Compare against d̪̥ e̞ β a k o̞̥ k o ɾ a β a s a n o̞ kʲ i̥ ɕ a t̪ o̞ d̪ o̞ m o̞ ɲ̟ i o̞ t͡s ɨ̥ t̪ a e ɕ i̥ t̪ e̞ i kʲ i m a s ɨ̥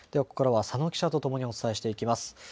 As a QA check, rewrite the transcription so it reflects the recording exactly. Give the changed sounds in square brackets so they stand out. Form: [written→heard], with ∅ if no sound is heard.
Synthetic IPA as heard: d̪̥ e̞ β a k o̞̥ k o ɾ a β a s a n o̞ kʲ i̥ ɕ a t̪ o̞ [d̪→t̪] o̞ m o̞ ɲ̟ i o̞ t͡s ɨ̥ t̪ a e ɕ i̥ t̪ e̞ i kʲ i m a s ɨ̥